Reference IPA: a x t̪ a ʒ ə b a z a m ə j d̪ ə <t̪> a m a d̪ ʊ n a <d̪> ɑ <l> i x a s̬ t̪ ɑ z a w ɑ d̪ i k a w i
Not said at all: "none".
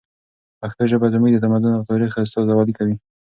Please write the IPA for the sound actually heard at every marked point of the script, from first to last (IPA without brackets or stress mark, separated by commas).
t̪, t̪, ɾ